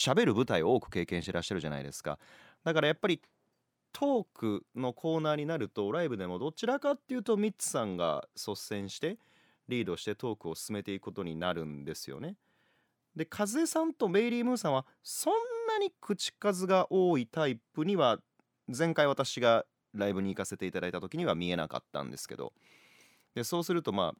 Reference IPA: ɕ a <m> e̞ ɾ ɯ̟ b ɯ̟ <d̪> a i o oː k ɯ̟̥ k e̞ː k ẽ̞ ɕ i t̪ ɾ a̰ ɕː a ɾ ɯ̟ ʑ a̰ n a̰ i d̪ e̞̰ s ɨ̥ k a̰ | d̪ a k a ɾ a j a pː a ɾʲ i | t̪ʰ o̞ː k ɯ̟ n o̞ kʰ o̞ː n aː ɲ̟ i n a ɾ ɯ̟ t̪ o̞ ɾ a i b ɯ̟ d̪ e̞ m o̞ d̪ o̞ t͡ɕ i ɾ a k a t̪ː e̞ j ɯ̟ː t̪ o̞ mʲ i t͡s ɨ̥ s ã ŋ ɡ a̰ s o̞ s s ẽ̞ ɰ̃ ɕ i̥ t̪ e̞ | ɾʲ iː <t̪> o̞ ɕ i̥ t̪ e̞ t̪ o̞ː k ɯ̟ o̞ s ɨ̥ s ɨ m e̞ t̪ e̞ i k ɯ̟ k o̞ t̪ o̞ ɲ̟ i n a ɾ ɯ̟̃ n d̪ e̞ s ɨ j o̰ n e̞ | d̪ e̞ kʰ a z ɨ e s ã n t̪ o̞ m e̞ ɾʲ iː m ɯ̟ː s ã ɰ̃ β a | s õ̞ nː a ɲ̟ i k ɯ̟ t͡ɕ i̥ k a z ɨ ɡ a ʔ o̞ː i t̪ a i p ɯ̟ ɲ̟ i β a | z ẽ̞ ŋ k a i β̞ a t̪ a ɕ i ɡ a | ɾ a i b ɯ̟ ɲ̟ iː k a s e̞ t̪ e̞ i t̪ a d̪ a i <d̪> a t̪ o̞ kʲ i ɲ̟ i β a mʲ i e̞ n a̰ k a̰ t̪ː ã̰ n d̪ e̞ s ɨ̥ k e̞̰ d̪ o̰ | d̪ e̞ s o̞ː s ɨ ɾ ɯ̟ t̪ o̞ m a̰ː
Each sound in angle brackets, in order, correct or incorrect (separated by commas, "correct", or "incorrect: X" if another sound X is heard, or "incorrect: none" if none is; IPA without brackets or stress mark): incorrect: b, incorrect: t̪, incorrect: d̪, incorrect: t̪